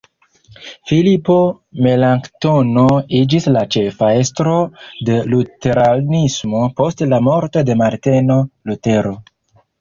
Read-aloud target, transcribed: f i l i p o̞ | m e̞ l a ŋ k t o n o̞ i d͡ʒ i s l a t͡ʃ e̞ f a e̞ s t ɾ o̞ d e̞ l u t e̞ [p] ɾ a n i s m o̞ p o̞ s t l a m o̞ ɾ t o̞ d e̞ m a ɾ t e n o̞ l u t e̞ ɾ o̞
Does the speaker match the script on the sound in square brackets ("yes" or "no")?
no